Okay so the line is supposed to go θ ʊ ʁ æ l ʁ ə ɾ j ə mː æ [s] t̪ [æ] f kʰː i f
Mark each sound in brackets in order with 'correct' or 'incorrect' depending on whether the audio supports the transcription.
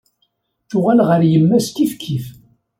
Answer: correct, incorrect

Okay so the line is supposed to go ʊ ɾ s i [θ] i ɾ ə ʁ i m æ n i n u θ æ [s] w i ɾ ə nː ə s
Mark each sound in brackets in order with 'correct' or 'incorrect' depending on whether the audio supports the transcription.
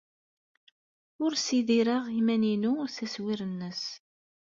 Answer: incorrect, correct

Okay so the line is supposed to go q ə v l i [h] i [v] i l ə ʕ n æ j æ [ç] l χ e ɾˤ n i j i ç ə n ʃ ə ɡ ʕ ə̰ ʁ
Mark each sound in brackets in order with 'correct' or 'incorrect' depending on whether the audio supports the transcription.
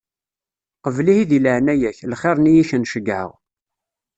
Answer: correct, incorrect, correct

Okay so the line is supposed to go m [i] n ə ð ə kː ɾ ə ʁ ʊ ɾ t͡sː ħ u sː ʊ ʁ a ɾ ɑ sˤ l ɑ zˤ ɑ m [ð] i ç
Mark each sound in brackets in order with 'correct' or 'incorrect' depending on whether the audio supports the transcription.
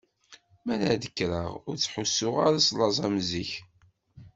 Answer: incorrect, incorrect

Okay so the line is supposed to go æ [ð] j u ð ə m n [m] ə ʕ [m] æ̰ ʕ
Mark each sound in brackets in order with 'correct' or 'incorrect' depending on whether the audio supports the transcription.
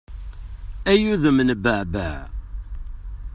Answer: incorrect, incorrect, incorrect

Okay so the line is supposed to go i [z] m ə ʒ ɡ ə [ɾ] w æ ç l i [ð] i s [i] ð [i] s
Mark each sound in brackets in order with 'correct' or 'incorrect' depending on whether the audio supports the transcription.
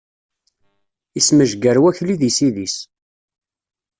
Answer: incorrect, correct, correct, correct, correct

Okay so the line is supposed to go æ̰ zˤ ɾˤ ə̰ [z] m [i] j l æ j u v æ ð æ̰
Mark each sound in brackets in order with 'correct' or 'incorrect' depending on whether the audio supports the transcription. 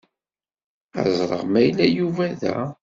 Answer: incorrect, incorrect

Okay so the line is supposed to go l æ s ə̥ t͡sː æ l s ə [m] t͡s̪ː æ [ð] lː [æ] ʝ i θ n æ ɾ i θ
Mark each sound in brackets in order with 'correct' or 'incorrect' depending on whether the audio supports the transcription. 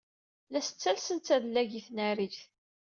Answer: incorrect, correct, correct

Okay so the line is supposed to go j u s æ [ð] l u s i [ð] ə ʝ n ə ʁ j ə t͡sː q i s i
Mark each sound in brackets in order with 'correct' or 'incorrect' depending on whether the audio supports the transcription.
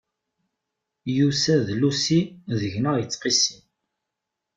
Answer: correct, correct

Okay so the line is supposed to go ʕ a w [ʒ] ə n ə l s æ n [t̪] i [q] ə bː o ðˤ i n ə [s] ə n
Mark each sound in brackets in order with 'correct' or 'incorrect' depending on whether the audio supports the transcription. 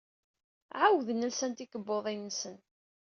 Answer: incorrect, correct, incorrect, correct

